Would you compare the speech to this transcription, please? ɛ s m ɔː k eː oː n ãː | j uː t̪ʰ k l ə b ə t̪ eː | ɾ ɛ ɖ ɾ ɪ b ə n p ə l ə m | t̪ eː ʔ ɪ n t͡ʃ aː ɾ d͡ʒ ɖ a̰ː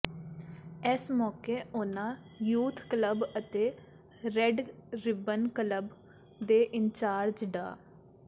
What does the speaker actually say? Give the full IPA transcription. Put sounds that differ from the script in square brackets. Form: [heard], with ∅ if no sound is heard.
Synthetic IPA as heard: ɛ s m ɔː k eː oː n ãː | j uː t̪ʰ k l ə b ə t̪ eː | ɾ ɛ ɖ ɾ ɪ b ə n [k] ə l ə [b] | [d̪] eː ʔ ɪ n t͡ʃ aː ɾ d͡ʒ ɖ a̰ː